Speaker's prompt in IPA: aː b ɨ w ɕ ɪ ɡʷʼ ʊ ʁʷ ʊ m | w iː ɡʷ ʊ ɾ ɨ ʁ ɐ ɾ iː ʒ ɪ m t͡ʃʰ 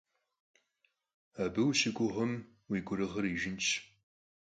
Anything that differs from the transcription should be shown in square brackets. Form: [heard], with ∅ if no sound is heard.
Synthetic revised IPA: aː b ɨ w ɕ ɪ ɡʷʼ ʊ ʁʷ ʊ m | w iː ɡʷ ʊ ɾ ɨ ʁ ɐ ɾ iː ʒ ɪ [n] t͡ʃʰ